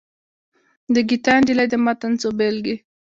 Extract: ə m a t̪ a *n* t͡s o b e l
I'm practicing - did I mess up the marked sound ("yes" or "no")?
no